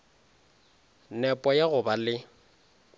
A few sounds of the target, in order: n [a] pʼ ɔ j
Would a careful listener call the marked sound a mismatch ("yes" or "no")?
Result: yes